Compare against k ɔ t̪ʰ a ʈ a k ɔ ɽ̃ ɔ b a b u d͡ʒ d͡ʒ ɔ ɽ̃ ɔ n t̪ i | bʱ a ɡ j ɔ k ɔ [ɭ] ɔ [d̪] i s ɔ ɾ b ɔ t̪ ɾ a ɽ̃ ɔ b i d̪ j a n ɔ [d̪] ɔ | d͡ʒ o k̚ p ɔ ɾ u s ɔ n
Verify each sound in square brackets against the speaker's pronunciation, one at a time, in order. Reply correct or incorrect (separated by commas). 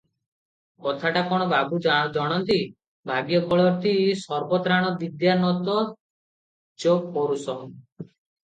correct, incorrect, incorrect